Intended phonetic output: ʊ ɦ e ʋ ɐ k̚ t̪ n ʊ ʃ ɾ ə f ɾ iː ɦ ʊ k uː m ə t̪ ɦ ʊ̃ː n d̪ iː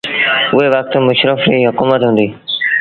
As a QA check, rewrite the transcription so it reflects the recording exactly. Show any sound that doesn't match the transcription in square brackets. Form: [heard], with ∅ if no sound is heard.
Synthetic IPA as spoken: ʊ ɦ e ʋ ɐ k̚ t̪ [m] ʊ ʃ ɾ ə f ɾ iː ɦ ʊ k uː m ə t̪ ɦ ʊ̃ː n d̪ iː